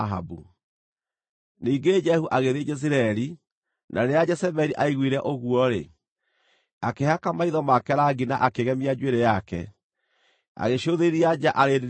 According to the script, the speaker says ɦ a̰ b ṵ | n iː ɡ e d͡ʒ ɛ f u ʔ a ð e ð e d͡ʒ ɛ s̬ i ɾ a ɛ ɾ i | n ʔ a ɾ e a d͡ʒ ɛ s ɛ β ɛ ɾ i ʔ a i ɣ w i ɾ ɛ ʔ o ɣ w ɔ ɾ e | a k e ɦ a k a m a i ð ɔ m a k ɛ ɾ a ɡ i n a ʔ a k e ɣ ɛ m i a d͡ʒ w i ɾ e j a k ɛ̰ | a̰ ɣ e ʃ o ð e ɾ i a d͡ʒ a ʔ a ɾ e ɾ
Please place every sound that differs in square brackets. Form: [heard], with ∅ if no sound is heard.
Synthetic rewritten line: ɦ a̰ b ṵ | n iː ɡ e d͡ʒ ɛ [h] u ʔ a [ɣ] e ð e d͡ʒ ɛ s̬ i ɾ a ɛ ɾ i | n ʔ a ɾ e a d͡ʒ ɛ s ɛ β ɛ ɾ i ʔ a i ɣ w i ɾ ɛ ʔ o ɣ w ɔ ɾ e | a k e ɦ a k a m a i ð ɔ m a k ɛ ɾ a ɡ i n a ʔ a k e ɣ ɛ m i a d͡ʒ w [e] ɾ e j a k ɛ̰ | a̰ ɣ e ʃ o ð e ɾ i a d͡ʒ a ʔ a ɾ e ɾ